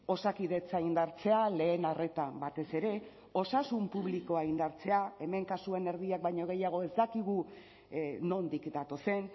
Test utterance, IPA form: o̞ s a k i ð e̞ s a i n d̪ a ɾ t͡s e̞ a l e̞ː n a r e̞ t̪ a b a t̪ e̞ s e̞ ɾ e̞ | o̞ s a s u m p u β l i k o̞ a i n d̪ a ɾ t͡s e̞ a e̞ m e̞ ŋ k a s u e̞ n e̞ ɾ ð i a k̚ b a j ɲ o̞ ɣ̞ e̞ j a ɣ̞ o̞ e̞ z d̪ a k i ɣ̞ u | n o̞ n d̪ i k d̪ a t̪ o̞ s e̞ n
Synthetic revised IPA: o̞ s a k i ð e̞ t͡s a i n d̪ a ɾ t͡s e̞ a l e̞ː n a r e̞ t̪ a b a t̪ e̞ s e̞ ɾ e̞ | o̞ s a s u m p u β l i k o̞ a i n d̪ a ɾ t͡s e̞ a e̞ m e̞ ŋ k a s u e̞ n e̞ ɾ ð i a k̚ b a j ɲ o̞ ɣ̞ e̞ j a ɣ̞ o̞ e̞ z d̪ a k i ɣ̞ u | n o̞ n d̪ i k d̪ a t̪ o̞ s e̞ n